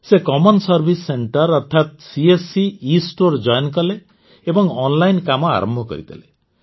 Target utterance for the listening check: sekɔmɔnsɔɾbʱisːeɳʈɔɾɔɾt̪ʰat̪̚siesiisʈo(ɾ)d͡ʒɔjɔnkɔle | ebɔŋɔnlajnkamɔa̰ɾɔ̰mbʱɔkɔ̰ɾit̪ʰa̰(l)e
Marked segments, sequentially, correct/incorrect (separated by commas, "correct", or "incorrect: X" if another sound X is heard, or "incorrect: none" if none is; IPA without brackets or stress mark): correct, correct